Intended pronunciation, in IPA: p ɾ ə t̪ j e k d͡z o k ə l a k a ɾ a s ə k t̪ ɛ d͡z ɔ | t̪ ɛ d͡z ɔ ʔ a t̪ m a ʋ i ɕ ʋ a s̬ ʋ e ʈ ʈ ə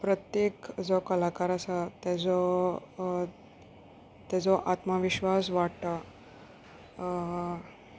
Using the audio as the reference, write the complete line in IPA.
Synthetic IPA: p ɾ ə t̪ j e k d͡z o k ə l a k a ɾ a s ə t̪ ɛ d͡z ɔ | t̪ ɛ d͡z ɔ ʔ a t̪ m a ʋ i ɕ ʋ a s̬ ʋ a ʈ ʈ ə

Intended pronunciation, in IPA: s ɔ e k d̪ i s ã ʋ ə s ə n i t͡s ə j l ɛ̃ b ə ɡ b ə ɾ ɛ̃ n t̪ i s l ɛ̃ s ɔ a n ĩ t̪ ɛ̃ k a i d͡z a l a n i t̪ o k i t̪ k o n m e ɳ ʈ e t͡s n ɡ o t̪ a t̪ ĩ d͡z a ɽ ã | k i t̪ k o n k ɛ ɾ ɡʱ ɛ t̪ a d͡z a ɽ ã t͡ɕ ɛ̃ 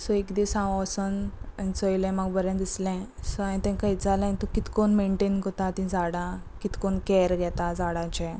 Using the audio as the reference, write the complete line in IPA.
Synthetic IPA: s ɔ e k d̪ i s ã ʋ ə s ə n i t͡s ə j l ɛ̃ m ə ɡ b ə ɾ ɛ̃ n d̪ i s l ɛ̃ s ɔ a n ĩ t̪ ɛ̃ k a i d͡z a l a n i t̪ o k i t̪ k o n m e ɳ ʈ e n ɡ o t̪ a t̪ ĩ d͡z a ɽ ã | k i t̪ k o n k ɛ ɾ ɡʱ ɛ t̪ a d͡z a ɽ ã t͡ɕ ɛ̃

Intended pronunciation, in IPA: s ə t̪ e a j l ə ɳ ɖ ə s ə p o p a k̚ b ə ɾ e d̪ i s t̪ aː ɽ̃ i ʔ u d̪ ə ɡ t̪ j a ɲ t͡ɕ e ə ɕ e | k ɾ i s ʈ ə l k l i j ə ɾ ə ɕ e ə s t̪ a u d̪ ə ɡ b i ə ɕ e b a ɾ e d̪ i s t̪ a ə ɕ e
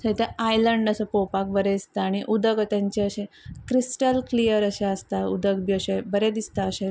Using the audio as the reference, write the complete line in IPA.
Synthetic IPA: s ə t̪ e a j l ə ɳ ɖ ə s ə p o p a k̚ b ə ɾ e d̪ i s t̪ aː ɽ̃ i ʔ u d̪ ə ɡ t̪ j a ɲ t͡ɕ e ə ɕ e | k ɾ i s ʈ ə l k l i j ə ɾ ə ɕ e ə s t̪ a u d̪ ə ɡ b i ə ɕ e b ə ɾ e d̪ i s t̪ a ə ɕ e

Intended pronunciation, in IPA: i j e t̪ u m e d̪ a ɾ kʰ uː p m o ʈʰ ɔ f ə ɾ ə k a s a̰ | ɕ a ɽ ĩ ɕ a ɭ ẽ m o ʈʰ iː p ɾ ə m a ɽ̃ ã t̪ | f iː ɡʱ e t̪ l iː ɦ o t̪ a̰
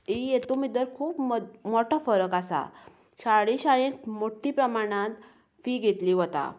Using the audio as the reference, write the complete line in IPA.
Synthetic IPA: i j e t̪ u m i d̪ ə ɾ kʰ uː p m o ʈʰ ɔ f ə ɾ ə k a s a̰ | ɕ a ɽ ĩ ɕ a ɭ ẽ m o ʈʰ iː p ɾ ə m a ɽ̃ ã t̪ | f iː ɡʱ e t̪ l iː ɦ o t̪ a̰

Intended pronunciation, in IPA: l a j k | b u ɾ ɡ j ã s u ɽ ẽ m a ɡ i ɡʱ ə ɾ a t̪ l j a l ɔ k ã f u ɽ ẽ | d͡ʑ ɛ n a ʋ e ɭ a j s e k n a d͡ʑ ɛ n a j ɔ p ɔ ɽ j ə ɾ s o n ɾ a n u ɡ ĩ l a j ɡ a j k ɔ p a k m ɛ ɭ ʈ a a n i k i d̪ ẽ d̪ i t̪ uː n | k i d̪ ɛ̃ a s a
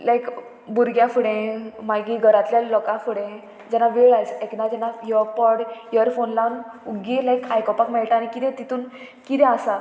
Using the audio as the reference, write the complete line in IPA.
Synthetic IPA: l a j k | b u ɾ ɡ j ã f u ɽ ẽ m a ɡ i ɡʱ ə ɾ a t̪ l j a l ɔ k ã f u ɽ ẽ | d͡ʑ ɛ n a ʋ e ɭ a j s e k n a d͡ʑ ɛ n a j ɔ p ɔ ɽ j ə ɾ f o n l a n u ɡ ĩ l a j k a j k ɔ p a k m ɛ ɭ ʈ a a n i k i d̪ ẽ t̪ i t̪ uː n | k i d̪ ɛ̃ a s a

